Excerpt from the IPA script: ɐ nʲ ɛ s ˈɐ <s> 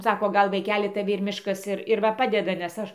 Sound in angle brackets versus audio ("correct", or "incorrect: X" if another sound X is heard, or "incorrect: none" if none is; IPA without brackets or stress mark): incorrect: ʃ